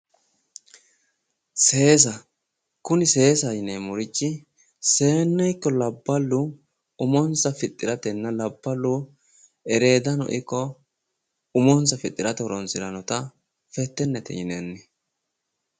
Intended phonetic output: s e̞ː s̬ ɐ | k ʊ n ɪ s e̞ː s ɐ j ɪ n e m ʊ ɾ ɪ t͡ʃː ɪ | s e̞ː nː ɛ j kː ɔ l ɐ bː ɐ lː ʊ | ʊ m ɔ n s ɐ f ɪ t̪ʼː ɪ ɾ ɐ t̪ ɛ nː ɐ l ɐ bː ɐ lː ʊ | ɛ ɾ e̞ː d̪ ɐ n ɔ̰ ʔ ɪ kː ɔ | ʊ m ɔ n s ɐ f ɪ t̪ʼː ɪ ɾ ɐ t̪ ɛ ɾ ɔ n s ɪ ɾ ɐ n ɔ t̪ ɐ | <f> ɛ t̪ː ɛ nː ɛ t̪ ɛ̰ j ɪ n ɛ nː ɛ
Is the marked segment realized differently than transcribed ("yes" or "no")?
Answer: no